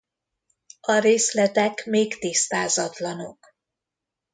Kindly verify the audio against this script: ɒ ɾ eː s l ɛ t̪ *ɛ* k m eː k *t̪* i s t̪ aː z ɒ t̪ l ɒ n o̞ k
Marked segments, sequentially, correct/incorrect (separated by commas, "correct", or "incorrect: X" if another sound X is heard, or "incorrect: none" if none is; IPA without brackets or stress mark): correct, correct